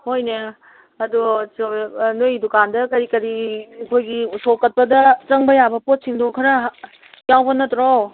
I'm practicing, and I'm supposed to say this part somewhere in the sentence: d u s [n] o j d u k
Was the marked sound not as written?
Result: no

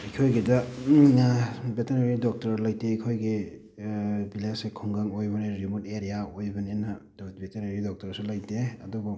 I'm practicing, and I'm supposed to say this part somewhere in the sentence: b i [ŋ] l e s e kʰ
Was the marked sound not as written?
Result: yes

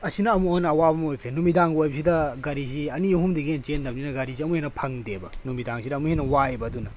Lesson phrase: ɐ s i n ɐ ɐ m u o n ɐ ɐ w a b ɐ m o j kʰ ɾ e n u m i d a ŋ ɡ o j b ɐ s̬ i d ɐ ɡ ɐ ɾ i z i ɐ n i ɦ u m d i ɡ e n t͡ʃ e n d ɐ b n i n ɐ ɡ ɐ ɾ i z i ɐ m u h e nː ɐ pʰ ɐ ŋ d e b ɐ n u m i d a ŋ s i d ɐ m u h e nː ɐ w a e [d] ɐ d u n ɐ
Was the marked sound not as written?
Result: yes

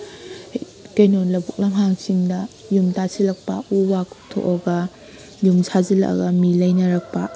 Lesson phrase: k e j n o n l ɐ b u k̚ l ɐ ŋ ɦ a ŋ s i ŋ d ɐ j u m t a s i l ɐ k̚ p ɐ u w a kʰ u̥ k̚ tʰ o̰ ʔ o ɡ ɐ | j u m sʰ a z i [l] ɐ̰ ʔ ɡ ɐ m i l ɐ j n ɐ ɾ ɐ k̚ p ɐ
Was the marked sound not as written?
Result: no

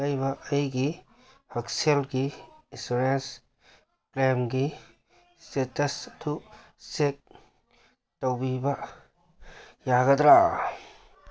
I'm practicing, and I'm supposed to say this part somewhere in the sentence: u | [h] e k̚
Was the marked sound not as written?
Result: yes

